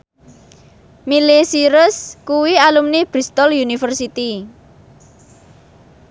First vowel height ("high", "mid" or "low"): high